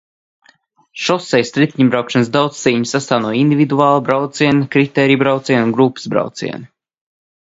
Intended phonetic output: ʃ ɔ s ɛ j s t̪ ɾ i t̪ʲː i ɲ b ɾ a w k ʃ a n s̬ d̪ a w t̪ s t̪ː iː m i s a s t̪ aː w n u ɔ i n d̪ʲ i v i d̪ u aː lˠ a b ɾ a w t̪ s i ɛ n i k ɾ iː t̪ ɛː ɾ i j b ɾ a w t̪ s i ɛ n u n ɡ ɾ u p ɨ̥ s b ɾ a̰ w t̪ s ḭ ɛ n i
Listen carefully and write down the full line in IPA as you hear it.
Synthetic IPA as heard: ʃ ɔ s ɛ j s t̪ ɾ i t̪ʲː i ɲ b ɾ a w k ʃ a n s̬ d̪ a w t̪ s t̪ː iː ɲ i s a s t̪ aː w n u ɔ i n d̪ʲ i v i d̪ u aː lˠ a b ɾ a w t̪ s i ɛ n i k ɾ i t̪ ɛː ɾ i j b ɾ a w t̪ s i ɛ n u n ɡ ɾ u p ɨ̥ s b ɾ a̰ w t̪ s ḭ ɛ n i